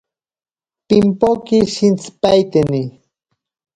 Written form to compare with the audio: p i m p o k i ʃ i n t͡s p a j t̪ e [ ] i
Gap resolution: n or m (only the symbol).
n